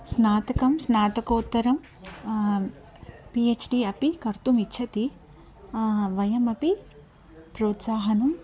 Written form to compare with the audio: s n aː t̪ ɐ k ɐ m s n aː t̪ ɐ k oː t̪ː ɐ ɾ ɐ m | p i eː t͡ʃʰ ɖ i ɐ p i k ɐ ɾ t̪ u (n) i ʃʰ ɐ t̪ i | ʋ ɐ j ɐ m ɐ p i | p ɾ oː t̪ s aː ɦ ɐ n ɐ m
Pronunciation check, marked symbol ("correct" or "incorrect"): incorrect